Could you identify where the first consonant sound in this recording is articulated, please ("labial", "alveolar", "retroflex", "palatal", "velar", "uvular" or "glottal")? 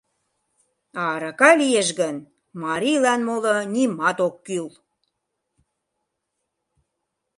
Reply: alveolar